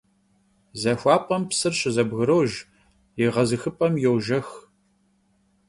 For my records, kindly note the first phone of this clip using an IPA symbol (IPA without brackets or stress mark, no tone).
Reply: z